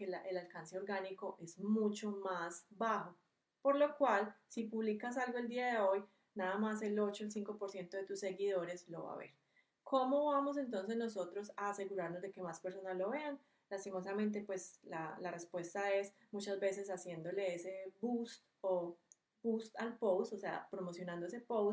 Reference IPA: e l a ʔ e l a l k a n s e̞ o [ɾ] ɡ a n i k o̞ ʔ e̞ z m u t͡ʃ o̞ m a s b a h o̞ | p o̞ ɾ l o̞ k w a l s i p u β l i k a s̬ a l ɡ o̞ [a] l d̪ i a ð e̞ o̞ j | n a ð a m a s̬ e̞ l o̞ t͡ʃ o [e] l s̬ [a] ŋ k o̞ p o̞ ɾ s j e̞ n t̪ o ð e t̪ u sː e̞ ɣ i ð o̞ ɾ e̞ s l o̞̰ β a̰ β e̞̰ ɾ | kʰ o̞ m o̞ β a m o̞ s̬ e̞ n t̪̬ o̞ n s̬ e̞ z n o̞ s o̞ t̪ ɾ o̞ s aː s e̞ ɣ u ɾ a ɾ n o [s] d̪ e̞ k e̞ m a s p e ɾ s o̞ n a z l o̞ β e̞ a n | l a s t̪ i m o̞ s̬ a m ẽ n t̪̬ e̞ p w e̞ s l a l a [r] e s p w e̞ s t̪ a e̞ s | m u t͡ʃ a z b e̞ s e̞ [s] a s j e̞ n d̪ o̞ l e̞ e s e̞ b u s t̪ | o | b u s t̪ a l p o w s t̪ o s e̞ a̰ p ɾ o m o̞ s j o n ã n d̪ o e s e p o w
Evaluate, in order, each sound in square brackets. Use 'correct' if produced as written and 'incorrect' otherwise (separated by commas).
correct, incorrect, correct, incorrect, incorrect, correct, correct